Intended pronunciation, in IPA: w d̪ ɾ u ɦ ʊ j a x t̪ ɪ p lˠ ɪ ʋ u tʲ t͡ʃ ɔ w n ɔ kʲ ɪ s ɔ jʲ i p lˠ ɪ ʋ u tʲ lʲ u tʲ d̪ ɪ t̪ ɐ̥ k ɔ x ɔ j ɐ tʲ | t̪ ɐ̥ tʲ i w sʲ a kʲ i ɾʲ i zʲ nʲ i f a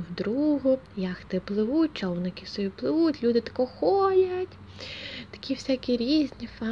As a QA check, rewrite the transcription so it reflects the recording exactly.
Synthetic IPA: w d̪ ɾ u ɦ ʊ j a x t̪ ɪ p lˠ ɪ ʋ u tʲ t͡ʃ ɔ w n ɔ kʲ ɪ s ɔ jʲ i p lˠ ɪ ʋ u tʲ lʲ u d̪ ɪ t̪ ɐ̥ k ɔ x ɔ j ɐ tʲ | t̪ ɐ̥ kʲ i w sʲ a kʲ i ɾʲ i zʲ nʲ i f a